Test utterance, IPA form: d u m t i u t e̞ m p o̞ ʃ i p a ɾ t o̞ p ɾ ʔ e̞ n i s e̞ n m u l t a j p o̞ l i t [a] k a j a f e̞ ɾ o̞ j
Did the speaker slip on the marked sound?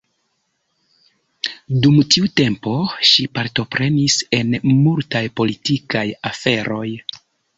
yes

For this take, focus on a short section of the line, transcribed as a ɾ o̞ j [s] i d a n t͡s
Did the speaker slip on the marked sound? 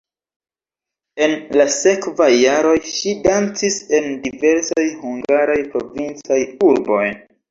yes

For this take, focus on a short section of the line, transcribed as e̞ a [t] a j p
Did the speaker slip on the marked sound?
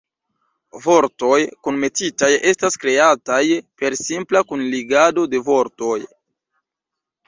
no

